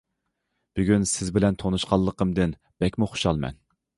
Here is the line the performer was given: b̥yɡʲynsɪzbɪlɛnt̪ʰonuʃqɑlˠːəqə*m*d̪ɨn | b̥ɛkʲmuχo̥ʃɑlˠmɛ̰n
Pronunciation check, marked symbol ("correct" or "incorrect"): correct